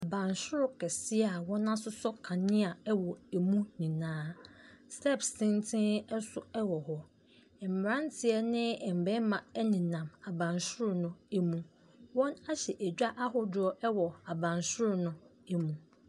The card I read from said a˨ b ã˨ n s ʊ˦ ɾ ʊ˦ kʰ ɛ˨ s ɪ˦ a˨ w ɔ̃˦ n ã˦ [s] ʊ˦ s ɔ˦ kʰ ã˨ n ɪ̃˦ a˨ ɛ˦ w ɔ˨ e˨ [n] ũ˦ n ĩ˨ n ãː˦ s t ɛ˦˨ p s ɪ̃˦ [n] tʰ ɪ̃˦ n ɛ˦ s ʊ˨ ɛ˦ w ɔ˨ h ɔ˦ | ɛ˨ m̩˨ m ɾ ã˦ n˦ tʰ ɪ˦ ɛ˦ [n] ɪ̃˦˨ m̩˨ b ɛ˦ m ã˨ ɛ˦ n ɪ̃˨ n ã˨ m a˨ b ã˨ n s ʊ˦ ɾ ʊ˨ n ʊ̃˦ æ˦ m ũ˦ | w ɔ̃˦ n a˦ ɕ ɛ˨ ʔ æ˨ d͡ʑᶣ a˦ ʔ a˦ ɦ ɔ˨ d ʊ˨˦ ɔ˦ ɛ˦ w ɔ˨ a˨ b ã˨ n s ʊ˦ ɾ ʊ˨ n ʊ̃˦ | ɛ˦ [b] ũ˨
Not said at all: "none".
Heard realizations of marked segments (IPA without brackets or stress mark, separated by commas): s, m, n, n, m